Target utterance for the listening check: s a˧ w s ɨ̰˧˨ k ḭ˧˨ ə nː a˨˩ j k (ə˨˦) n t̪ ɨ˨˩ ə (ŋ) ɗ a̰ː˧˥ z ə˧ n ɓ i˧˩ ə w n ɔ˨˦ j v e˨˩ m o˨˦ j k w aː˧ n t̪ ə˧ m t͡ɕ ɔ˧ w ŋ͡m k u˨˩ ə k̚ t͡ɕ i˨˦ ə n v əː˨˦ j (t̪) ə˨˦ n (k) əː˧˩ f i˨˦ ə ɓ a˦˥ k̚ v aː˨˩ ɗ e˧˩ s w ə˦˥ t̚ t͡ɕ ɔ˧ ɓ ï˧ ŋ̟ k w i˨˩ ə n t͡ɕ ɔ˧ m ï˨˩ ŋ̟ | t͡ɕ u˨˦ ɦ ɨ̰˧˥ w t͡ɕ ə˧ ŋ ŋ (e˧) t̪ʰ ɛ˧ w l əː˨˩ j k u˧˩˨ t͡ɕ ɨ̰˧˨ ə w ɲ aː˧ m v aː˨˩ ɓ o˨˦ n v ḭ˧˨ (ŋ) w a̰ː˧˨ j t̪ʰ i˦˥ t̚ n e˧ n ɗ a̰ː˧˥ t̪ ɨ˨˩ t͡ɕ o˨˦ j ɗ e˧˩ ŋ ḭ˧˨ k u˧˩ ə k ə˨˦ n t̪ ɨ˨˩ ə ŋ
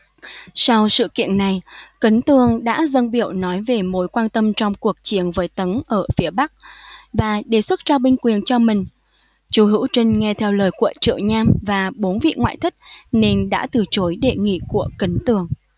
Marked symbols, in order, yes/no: yes, yes, yes, no, no, yes

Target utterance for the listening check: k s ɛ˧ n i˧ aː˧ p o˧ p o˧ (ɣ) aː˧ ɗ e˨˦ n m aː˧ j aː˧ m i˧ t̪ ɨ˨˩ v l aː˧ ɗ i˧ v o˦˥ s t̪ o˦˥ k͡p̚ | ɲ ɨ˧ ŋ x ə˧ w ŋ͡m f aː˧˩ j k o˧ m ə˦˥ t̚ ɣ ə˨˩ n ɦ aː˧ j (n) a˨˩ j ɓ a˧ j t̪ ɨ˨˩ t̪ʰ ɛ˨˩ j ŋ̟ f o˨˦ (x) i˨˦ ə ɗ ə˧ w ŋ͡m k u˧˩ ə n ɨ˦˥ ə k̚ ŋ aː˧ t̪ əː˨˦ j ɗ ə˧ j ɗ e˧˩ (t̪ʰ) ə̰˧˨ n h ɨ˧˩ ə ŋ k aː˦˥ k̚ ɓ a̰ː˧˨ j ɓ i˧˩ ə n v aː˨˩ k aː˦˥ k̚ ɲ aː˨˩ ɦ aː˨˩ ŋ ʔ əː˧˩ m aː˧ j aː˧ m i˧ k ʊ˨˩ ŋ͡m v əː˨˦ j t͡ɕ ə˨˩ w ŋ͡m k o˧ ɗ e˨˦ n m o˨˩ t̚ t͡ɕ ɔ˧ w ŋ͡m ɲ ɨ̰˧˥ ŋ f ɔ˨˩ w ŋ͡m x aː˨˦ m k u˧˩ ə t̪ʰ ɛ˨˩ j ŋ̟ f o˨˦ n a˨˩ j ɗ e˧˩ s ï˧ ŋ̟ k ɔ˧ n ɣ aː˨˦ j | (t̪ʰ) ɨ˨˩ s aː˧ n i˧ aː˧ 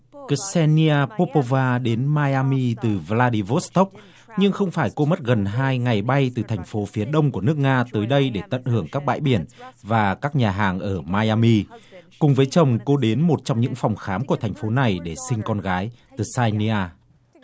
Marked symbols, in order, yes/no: no, no, no, no, no

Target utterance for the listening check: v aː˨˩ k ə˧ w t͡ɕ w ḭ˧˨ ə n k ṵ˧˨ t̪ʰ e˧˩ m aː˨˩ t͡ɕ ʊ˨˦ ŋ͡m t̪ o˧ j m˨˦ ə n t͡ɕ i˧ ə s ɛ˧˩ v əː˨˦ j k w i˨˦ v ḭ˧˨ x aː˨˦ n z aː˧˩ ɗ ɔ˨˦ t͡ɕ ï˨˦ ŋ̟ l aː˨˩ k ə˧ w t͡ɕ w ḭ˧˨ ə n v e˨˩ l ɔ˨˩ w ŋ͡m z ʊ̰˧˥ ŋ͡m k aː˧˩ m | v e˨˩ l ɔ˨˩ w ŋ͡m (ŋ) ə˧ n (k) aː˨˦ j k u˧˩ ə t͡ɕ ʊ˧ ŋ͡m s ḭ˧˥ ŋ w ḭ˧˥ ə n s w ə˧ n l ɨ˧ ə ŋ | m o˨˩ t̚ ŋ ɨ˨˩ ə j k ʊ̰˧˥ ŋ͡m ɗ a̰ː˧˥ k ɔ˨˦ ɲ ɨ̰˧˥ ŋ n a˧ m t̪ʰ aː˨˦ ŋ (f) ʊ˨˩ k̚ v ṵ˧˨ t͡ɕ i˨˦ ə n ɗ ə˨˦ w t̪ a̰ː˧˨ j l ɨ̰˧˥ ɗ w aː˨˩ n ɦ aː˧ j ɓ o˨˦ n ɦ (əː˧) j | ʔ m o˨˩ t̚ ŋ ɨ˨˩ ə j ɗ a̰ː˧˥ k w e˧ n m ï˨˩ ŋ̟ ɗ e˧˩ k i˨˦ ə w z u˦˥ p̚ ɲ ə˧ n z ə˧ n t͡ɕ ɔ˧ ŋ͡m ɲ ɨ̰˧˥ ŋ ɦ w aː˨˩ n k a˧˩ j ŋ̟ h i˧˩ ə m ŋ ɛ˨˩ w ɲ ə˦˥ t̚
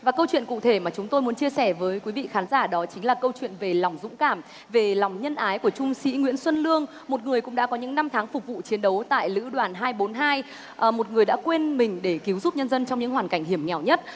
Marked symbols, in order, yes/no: no, no, yes, no

